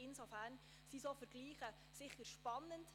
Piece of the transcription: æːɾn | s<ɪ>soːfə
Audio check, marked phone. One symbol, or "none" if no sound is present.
i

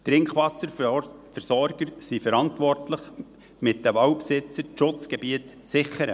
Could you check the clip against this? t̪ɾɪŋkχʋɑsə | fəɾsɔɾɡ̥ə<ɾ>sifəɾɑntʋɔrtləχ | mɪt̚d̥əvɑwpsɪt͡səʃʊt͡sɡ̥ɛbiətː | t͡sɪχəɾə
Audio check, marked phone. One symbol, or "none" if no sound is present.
ɾ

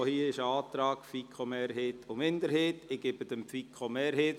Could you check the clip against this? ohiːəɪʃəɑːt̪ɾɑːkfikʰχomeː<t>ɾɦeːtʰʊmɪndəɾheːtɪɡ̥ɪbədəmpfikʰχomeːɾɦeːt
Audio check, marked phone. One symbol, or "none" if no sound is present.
none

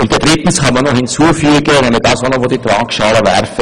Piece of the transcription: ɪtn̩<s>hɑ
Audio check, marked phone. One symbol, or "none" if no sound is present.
s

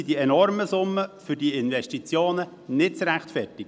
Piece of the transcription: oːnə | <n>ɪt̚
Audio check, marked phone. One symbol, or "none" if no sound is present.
n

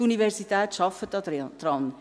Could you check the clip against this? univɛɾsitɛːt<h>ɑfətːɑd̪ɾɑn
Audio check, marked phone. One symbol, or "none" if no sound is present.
ʃ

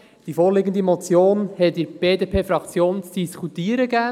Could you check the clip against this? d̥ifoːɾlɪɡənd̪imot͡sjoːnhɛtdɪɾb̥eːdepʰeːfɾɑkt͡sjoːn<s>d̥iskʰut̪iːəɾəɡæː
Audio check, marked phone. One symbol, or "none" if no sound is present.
t͡s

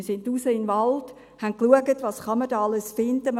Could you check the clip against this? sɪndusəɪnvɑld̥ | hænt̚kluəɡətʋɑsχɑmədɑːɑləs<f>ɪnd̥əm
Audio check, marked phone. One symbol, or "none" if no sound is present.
f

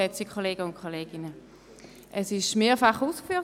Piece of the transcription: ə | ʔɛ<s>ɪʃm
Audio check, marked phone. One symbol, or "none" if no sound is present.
s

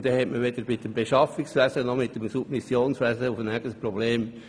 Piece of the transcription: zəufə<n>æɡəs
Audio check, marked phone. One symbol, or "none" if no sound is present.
n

